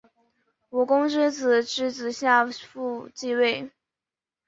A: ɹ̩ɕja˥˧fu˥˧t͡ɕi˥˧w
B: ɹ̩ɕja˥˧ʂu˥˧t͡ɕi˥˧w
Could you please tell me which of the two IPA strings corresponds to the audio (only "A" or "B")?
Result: A